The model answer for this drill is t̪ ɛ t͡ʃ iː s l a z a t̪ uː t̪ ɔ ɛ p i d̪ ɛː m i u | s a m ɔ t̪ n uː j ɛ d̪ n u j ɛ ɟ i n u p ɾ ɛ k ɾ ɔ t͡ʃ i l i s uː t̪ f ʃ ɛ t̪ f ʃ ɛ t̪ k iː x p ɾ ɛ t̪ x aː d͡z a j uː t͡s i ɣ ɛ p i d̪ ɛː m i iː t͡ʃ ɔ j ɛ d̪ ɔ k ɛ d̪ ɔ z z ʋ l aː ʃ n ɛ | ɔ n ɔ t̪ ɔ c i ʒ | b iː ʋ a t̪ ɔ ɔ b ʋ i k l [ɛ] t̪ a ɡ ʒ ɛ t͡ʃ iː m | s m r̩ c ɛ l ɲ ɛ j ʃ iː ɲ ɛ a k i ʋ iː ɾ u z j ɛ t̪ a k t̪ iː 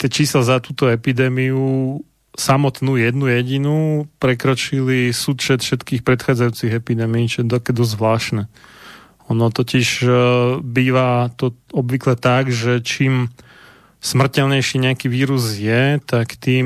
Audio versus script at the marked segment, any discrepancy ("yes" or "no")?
no